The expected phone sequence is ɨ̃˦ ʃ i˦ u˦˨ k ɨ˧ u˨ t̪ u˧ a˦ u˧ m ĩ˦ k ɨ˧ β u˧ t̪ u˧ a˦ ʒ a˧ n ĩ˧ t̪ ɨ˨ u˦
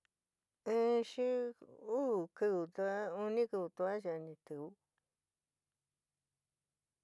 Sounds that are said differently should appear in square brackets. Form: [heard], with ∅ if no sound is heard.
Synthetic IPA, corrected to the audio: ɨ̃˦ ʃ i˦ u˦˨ k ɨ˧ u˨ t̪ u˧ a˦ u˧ [n] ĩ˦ k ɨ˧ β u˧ t̪ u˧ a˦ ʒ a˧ n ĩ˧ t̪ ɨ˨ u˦